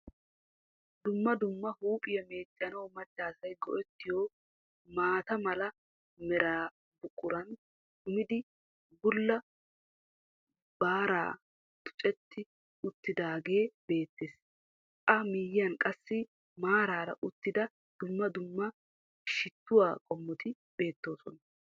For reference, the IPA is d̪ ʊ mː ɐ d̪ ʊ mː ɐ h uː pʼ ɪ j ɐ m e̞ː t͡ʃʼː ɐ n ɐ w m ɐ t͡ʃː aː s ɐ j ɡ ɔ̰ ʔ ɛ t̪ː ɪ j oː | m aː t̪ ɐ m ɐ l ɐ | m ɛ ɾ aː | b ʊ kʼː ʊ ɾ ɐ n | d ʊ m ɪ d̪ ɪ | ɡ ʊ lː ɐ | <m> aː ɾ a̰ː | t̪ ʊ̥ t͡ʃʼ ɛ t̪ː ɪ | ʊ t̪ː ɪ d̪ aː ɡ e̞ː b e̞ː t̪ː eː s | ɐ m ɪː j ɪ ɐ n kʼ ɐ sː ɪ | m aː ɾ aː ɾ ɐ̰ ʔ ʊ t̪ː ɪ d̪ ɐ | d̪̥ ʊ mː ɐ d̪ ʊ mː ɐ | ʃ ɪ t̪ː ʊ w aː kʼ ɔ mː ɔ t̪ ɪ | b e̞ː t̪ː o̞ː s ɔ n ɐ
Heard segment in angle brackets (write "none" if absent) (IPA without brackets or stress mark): b